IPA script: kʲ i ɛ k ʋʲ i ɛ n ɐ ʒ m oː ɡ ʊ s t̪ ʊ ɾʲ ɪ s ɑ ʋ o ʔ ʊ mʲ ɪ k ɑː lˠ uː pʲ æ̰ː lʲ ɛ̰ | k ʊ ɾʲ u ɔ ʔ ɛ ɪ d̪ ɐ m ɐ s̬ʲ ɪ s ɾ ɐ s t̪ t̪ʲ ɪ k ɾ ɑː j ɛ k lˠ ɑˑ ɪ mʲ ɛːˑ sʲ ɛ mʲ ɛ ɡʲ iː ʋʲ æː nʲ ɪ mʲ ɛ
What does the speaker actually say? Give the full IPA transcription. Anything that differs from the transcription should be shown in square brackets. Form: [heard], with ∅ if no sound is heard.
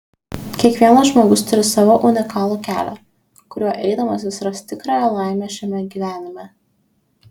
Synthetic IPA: kʲ i ɛ k ʋʲ i ɛ n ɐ ʒ m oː ɡ ʊ s t̪ ʊ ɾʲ ɪ s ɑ ʋ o ʔ ʊ [nʲ] ɪ k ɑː lˠ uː [kʲ] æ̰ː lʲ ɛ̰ | k ʊ ɾʲ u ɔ ʔ ɛ ɪ d̪ ɐ m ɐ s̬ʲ ɪ s ɾ ɐ s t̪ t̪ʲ ɪ k ɾ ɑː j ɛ [∅] lˠ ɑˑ ɪ mʲ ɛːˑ [ʃʲ] ɛ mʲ ɛ ɡʲ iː ʋʲ æː nʲ ɪ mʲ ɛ